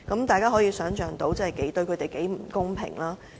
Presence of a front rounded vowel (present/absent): present